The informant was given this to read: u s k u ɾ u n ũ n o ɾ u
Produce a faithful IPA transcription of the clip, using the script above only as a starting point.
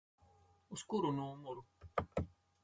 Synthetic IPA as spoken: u s k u ɾ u n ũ m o ɾ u